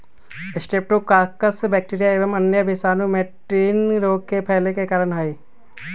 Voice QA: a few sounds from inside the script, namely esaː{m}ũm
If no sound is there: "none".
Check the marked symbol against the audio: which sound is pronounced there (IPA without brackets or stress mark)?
n